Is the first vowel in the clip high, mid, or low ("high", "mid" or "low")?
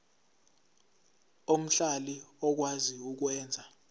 mid